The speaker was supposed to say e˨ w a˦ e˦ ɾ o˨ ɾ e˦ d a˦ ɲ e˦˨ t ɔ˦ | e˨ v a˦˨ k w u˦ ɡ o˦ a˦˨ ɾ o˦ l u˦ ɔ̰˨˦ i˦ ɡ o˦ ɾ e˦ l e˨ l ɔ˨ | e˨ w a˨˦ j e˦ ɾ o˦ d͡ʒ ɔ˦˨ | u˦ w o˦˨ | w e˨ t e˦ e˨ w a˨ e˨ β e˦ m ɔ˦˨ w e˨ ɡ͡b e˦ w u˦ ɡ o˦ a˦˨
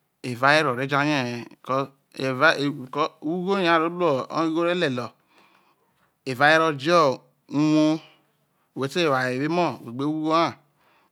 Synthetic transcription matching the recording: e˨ v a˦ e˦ ɾ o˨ ɾ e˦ d͡ʒ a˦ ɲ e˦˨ k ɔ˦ | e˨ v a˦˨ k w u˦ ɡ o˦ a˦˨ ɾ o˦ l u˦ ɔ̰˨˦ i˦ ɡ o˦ ɾ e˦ l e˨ l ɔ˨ | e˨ v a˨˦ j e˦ ɾ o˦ d͡ʒ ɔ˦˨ | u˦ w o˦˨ | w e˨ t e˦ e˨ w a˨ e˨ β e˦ m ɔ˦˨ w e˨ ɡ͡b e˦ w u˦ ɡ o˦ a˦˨